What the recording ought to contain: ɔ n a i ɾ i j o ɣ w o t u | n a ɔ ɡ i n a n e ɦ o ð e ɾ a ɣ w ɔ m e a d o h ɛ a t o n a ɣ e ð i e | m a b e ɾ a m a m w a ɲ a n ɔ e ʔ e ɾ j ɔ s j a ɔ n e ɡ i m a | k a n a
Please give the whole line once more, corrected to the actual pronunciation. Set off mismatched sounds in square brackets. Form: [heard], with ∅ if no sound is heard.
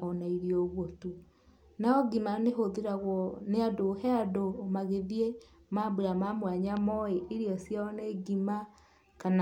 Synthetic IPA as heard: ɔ n a i ɾ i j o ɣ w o t u | n a ɔ ɡ i [m] a n e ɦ o ð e ɾ a ɣ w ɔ [n] e a d o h ɛ a [d] o [m] a ɣ e ð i e | m a b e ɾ a m a m w a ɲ a [m] ɔ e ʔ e ɾ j ɔ s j a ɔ n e ɡ i m a | k a n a